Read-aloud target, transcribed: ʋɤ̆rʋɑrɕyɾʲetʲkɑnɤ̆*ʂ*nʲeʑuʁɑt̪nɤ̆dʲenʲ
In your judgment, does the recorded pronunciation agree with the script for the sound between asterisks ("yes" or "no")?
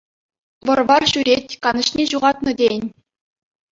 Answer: no